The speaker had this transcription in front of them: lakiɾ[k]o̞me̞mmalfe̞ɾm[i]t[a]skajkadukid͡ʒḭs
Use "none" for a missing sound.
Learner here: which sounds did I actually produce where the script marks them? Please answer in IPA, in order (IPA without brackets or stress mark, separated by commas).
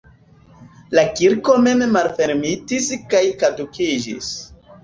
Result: k, i, i